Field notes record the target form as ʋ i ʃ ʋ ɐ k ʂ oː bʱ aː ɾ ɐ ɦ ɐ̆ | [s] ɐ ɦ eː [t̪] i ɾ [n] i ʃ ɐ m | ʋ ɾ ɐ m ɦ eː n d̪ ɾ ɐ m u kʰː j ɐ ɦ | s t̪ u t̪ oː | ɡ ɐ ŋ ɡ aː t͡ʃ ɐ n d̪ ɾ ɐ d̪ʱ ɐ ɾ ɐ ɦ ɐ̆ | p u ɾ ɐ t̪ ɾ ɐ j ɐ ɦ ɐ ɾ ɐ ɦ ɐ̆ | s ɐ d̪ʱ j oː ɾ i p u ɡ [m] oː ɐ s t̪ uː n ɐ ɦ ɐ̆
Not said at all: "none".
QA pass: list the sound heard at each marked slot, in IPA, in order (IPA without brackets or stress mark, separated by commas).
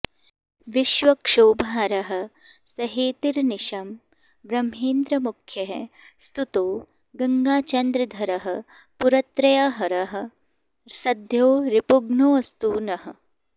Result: s, t̪, n, n